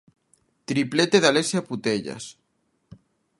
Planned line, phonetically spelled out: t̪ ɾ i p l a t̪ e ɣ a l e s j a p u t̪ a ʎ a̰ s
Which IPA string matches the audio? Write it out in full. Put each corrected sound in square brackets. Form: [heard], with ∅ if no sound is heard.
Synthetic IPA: t̪ ɾ i p l [e] t̪ e [ð] a l e s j a p u t̪ [e] ʎ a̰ s